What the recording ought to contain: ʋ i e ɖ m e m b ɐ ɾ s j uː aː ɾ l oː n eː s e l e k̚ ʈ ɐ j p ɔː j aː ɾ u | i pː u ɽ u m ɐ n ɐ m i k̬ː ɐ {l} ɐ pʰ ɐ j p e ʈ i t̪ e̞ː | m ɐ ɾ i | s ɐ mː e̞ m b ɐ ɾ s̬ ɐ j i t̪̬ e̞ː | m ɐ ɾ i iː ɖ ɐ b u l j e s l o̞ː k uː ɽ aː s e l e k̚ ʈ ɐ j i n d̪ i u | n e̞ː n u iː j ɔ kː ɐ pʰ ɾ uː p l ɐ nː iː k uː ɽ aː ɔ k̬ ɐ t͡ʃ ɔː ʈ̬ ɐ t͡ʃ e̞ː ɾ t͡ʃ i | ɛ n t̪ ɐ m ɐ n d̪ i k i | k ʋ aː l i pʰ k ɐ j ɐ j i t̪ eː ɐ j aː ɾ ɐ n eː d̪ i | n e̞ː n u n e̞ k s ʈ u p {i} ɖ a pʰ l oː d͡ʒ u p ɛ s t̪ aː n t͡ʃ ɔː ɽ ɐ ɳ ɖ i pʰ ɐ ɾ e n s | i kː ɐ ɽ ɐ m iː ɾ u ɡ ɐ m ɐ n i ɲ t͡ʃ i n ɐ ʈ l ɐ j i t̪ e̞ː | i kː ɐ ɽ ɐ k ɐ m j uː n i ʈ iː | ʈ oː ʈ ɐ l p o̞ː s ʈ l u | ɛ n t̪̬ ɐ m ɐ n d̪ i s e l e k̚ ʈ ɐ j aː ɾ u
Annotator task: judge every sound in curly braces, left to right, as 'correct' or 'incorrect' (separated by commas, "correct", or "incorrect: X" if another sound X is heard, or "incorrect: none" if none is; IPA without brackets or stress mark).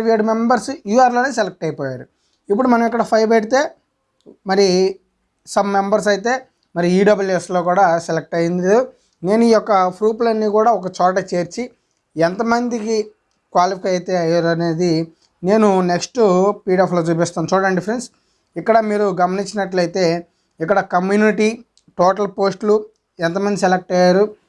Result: incorrect: ɽ, incorrect: iː